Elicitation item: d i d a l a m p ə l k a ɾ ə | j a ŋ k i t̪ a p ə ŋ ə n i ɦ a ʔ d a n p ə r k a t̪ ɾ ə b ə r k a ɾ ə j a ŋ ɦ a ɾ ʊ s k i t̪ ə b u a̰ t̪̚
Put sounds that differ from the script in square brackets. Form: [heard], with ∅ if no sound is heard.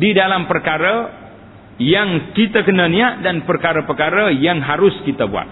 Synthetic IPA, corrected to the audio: d i d a l a m p ə [r] k a ɾ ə | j a ŋ k i t̪ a [k] ə [n] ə n i [∅] a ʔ d a n p ə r k a [∅] ɾ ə [p] ə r k a ɾ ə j a ŋ ɦ a ɾ ʊ s k i t̪ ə b u a̰ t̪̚